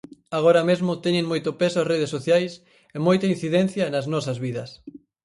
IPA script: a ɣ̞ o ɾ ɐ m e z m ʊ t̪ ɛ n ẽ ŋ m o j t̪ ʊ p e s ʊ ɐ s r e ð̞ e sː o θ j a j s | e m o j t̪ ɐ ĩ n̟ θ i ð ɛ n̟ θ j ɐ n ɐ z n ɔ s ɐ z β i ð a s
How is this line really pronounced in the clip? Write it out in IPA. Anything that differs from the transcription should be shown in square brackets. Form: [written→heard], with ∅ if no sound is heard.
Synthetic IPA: a ɣ̞ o ɾ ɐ m e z m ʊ t̪ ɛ [n→ɲ] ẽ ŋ m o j t̪ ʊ p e s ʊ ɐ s r e ð̞ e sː o θ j a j s | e m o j t̪ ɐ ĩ n̟ θ i ð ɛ n̟ θ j ɐ n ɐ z n ɔ s ɐ z β i ð [a→ɐ] s